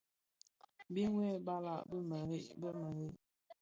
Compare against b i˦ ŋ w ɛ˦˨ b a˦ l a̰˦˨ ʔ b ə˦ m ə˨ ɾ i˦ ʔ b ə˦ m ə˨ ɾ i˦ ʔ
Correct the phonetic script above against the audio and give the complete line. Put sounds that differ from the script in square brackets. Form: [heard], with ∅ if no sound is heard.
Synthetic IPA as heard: b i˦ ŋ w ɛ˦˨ b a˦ l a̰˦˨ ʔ b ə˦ m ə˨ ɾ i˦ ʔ b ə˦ m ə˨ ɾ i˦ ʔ